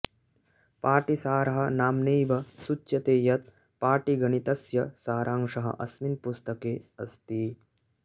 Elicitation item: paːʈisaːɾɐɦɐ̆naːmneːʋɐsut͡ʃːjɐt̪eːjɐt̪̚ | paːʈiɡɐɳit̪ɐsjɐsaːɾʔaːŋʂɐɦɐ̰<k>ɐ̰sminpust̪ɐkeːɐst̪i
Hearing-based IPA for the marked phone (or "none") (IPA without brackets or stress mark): ʔ